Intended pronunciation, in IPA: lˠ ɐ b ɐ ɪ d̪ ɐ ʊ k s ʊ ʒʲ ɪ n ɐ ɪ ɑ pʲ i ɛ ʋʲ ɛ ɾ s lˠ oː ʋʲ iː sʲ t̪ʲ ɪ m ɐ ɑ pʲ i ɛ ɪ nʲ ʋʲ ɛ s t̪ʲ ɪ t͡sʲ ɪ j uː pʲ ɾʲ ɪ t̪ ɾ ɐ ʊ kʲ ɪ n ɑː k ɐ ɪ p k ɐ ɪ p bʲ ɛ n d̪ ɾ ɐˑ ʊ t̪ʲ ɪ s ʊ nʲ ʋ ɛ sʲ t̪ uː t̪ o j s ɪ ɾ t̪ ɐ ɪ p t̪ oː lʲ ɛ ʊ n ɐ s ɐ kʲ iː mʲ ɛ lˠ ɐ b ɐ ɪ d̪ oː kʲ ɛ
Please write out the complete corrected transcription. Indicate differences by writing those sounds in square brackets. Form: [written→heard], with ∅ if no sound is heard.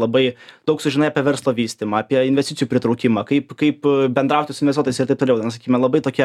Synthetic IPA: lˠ ɐ b ɐ ɪ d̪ ɐ ʊ k s ʊ ʒʲ ɪ n ɐ ɪ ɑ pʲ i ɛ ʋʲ ɛ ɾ s lˠ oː ʋʲ iː sʲ t̪ʲ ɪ m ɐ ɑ pʲ i ɛ ɪ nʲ ʋʲ ɛ s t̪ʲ ɪ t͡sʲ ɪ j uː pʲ ɾʲ ɪ t̪ ɾ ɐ ʊ kʲ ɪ [n→m] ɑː k ɐ ɪ p k ɐ ɪ p bʲ ɛ n d̪ ɾ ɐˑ ʊ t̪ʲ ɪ s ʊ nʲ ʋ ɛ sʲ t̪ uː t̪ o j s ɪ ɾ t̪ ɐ ɪ p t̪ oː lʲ ɛ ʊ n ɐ s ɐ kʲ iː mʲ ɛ lˠ ɐ b ɐ ɪ [d̪→t̪] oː kʲ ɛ